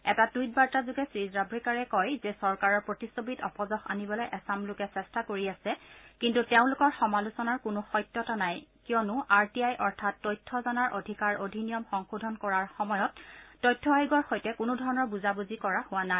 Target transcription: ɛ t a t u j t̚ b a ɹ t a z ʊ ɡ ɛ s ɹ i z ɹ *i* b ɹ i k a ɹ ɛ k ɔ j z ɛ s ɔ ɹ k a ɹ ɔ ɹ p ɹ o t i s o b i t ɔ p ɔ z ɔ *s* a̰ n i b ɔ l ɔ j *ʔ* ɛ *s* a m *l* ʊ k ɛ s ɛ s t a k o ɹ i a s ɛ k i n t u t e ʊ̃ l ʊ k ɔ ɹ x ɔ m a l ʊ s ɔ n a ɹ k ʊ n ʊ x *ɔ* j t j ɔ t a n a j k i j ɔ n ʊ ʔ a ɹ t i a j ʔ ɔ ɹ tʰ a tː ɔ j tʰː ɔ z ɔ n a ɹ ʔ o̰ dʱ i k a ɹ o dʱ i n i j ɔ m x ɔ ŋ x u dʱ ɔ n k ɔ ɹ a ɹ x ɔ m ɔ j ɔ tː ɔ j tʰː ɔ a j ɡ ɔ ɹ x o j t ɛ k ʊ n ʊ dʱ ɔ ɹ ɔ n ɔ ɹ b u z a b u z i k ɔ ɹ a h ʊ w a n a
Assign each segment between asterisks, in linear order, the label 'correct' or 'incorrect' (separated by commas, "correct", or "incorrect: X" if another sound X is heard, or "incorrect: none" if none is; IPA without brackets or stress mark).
incorrect: a, incorrect: x, correct, correct, correct, correct